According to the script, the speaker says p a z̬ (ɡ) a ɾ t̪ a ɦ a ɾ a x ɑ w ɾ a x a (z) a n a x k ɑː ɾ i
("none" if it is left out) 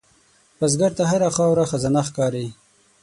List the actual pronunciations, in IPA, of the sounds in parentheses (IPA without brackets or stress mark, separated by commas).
ɡ, z